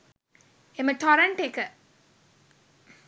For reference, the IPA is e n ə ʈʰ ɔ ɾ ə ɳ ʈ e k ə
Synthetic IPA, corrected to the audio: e m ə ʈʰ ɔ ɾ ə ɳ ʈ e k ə